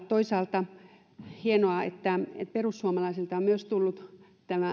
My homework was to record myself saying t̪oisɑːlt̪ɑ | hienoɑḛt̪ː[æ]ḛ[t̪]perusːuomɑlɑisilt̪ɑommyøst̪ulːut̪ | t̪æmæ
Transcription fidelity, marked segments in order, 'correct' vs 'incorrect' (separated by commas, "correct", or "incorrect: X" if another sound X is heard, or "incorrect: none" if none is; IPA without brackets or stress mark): correct, correct